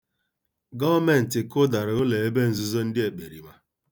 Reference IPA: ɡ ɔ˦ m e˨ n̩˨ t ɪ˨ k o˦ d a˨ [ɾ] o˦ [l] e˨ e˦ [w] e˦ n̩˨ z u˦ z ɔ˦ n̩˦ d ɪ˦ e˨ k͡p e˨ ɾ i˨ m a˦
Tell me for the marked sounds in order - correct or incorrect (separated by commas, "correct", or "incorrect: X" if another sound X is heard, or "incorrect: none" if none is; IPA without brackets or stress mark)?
correct, correct, incorrect: b